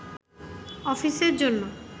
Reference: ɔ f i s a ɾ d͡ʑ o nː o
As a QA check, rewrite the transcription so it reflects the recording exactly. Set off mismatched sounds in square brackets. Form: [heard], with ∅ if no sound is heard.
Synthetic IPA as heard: ɔ f i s [e] ɾ d͡ʑ o nː o